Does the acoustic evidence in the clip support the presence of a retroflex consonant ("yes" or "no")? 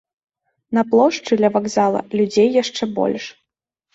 yes